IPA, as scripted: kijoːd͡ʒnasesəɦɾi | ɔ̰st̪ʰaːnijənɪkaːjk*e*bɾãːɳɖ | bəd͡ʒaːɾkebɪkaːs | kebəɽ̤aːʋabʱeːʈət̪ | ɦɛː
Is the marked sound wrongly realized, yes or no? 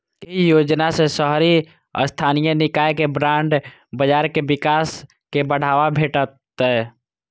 no